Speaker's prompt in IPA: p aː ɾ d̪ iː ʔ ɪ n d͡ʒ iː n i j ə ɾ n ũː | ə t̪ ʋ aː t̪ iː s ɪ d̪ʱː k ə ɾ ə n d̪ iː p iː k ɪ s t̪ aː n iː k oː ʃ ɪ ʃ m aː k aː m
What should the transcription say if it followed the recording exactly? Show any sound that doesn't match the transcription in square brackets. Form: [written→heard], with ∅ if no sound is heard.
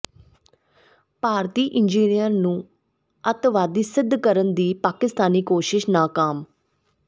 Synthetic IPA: p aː ɾ [d̪→t̪] iː ʔ ɪ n d͡ʒ iː n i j ə ɾ n ũː | ə t̪ ʋ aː [t̪→d̪] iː s ɪ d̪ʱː k ə ɾ ə n d̪ iː p [iː→aː] k ɪ s t̪ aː n iː k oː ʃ ɪ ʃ [m→n] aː k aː m